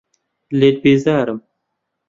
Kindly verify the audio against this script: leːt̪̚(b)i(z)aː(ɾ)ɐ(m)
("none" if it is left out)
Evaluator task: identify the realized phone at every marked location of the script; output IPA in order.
b, z, ɾ, m

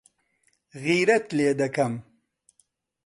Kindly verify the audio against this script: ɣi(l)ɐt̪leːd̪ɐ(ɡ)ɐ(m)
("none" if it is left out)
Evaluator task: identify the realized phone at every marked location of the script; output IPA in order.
ɾ, k, m

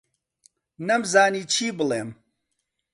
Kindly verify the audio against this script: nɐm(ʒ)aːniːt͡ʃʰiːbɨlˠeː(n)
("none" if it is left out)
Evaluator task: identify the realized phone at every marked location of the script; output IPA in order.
z, m

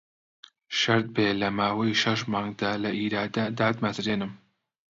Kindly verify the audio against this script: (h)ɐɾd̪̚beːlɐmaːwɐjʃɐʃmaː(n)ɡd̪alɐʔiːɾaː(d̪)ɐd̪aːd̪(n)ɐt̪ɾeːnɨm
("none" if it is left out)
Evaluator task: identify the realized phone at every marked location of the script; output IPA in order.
ʃ, ŋ, d̪, m

